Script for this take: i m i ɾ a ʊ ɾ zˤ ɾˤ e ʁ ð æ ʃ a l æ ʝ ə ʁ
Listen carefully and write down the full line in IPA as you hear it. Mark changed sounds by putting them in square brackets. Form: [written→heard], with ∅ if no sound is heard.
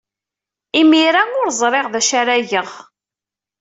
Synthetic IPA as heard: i m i ɾ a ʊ ɾ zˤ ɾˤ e ʁ ð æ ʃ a [l→ɾ] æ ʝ ə ʁ